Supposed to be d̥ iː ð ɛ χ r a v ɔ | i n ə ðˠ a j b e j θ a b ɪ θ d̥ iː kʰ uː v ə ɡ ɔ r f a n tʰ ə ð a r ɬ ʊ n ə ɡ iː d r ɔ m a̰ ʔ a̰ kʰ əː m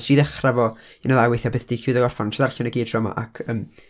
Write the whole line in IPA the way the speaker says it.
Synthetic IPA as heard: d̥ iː ð ɛ χ r a v ɔ | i n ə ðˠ a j w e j θ a b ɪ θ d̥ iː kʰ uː ð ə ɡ ɔ r f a n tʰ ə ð a r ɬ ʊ n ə ɡ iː d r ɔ m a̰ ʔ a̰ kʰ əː m